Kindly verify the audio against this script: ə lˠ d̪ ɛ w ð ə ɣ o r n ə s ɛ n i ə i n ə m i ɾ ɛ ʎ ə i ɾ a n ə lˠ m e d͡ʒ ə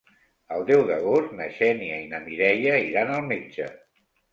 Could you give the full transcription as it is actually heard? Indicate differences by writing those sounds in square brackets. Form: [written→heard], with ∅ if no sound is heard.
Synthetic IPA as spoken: ə lˠ d̪ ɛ w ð ə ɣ o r n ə [s→ʃ] ɛ n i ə i n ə m i ɾ ɛ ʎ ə i ɾ a n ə lˠ m e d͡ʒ ə

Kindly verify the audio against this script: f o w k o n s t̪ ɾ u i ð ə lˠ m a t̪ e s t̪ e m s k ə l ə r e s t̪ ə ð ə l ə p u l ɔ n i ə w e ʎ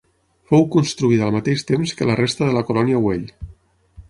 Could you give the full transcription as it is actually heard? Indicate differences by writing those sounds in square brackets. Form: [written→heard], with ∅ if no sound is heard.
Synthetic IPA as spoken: f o w k [o→u] n s t̪ ɾ u i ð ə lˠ m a t̪ e [s→ʃ] t̪ e m s k ə l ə r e s t̪ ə ð ə l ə [p→k] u l ɔ n i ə w e ʎ

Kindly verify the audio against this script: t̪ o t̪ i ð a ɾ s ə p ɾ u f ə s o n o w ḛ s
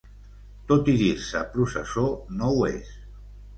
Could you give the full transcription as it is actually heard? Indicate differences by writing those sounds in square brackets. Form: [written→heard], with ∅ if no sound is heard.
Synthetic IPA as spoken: t̪ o t̪ i ð [a→i] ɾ s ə p ɾ u [f→s] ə s o n o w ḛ s

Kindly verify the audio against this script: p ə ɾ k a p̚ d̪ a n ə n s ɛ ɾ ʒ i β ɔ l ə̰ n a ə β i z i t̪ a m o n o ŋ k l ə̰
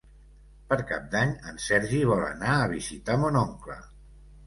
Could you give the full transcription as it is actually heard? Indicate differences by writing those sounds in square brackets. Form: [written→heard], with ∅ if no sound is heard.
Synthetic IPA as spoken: p ə ɾ k a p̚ d̪ a [n→ɲ] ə n s ɛ ɾ ʒ i β ɔ l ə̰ n a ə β i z i t̪ a m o n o ŋ k l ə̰

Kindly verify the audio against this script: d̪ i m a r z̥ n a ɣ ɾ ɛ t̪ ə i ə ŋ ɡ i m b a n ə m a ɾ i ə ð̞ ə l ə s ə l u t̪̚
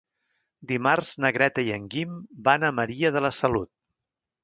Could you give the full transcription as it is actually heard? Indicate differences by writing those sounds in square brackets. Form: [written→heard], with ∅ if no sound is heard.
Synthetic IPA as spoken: d̪ i m a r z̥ n [a→ə] ɣ ɾ ɛ t̪ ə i ə ŋ ɡ i m b a n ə m [a→ə] ɾ i ə ð̞ ə l ə s ə l u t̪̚

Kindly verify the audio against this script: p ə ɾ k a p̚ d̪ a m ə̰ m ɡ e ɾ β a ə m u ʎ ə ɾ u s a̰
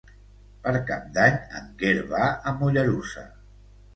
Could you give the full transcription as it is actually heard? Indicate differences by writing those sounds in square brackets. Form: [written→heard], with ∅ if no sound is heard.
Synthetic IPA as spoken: p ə ɾ k a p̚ d̪ a [m→ɲ] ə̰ [m→ŋ] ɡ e ɾ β a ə m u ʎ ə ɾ u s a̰

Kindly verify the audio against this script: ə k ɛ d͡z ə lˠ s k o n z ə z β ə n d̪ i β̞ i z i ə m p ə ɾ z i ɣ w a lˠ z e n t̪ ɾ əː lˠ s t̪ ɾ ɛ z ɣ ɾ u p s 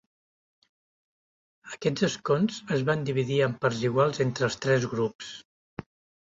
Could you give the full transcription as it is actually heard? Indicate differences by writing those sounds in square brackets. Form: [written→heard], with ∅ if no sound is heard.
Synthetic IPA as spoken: ə k ɛ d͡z ə [lˠ→∅] s k o n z ə z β [ə→a] n d̪ i β̞ i [z→ð] i ə m p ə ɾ z i ɣ w a lˠ z e n t̪ ɾ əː lˠ s t̪ ɾ ɛ z ɣ ɾ u p s

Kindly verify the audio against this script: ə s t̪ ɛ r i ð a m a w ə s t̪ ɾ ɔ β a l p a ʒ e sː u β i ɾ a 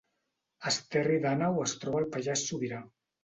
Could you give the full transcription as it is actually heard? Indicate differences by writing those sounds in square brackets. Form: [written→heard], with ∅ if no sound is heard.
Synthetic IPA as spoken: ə s t̪ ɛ r i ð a [m→n] a w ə s t̪ ɾ ɔ β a l p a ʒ [e→a] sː u β i ɾ a

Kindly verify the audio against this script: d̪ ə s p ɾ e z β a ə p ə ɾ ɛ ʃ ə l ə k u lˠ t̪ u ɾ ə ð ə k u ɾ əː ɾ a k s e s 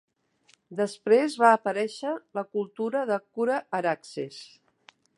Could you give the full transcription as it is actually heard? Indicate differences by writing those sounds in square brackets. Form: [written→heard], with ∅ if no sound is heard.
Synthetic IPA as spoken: d̪ ə s p ɾ e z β a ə p ə ɾ ɛ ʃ ə l ə k u lˠ t̪ u ɾ ə ð ə k u ɾ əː ɾ a k s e s

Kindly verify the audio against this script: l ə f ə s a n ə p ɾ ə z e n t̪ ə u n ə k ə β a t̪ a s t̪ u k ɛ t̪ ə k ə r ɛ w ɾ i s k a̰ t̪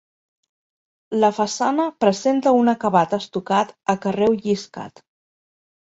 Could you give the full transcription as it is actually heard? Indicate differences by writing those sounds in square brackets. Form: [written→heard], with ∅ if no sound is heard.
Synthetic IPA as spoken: l ə f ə s a n ə p ɾ ə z e n t̪ ə u n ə k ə β a t̪ [a→ə] s t̪ u k [ɛ→a] t̪ ə k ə r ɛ w [ɾ→ʎ] i s k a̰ t̪

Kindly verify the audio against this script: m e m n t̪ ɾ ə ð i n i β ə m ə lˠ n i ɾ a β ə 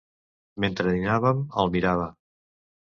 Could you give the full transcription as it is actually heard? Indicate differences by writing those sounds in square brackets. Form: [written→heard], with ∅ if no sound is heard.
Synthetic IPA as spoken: m e [m→∅] n t̪ ɾ ə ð i n [i→a] β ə m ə lˠ [n→m] i ɾ a β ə

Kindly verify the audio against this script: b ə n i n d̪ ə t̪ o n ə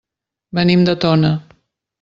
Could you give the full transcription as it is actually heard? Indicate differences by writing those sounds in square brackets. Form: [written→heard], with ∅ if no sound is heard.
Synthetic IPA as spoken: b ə n i [n→m] d̪ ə t̪ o n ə

